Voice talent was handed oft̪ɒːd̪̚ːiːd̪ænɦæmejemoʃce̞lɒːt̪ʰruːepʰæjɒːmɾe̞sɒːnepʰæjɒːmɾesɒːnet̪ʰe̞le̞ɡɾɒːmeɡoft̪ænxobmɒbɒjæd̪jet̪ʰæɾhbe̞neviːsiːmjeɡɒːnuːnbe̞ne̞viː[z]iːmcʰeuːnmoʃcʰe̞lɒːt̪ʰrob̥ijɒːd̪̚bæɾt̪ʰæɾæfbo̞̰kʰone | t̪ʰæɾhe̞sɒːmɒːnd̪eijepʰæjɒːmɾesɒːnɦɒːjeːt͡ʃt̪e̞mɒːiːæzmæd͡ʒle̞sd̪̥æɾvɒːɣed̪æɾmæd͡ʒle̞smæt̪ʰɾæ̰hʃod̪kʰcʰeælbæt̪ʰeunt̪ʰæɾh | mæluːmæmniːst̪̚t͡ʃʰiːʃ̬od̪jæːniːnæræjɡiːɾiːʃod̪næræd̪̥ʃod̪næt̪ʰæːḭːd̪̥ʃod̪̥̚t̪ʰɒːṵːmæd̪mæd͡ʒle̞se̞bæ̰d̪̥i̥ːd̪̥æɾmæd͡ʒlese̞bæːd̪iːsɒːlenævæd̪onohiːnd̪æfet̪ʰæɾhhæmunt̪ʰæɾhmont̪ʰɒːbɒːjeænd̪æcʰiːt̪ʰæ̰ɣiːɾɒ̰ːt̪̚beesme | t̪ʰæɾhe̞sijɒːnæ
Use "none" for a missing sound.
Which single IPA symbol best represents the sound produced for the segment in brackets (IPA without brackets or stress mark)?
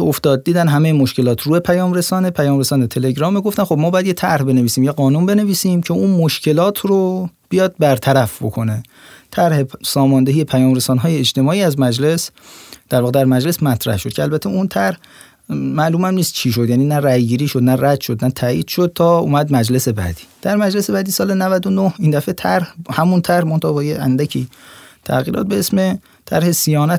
s